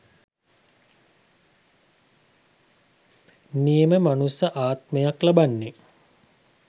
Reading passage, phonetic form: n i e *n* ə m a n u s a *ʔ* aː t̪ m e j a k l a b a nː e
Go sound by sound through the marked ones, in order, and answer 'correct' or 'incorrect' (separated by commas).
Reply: incorrect, correct